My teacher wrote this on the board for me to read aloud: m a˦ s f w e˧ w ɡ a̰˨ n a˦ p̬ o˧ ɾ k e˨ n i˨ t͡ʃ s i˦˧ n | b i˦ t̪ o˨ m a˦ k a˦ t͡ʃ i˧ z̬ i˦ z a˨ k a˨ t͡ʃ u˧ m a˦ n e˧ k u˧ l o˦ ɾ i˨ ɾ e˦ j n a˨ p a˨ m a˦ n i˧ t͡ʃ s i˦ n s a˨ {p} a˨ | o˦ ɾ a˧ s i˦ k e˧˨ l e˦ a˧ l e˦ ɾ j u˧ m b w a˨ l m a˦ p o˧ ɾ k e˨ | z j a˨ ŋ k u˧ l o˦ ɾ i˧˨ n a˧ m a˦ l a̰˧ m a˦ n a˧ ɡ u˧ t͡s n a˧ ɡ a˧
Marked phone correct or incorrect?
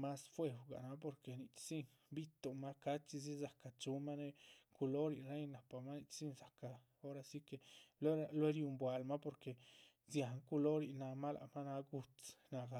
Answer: incorrect